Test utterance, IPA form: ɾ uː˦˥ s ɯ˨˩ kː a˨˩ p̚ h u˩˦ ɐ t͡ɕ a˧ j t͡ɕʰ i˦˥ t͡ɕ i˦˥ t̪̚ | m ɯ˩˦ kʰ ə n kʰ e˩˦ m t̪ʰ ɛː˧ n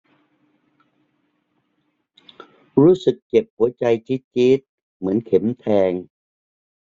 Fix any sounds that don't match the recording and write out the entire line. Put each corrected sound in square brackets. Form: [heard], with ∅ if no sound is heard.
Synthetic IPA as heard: ɾ uː˦˥ s ɯ˨˩ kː [e˨˩] p̚ h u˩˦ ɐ t͡ɕ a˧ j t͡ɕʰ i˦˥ t͡ɕ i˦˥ t̪̚ | m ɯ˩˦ [∅] ə n kʰ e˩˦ m t̪ʰ ɛː˧ [ŋ]